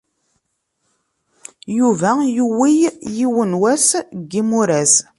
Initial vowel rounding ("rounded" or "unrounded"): rounded